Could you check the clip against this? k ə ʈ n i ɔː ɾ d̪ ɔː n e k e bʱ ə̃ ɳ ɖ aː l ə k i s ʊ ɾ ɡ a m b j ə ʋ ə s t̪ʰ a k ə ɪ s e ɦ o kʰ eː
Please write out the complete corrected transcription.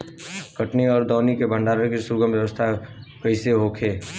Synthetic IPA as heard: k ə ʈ n i ɔː ɾ d̪ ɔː n i k e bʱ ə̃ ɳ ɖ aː ɾ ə k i s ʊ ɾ ɡ ə m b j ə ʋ ə s t̪ʰ a k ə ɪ s e ɦ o kʰ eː